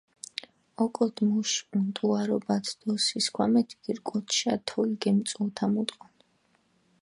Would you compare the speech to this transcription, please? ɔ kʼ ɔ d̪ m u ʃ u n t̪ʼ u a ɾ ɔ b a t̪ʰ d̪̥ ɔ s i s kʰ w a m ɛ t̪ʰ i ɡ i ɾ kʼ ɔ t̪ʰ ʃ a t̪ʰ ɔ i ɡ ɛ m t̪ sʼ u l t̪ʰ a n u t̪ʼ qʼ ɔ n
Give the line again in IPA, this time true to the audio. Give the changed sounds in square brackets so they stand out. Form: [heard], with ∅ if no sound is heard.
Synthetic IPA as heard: ɔ kʼ ɔ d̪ m u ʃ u n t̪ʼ u a ɾ ɔ b a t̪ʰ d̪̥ ɔ s i s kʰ w a m ɛ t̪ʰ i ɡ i ɾ kʼ ɔ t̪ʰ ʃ a t̪ʰ ɔ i ɡ ɛ m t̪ sʼ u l t̪ʰ a [m] u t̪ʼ qʼ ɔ n